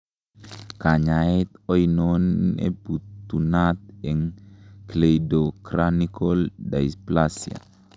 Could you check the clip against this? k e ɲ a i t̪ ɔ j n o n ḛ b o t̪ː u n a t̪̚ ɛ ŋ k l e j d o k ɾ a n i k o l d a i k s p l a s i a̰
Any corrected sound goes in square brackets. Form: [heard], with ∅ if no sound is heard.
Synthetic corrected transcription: k [a] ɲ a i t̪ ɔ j n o n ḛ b [u] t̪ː u n a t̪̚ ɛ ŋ k l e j d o k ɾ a n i k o l d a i [∅] s p l a s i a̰